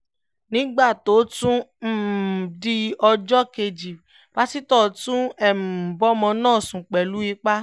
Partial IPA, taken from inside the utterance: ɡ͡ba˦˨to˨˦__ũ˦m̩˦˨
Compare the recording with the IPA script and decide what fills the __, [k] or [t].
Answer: t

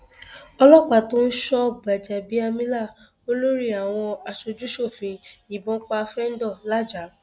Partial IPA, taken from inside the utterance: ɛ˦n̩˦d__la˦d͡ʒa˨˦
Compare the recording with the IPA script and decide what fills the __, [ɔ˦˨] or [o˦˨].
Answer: ɔ˦˨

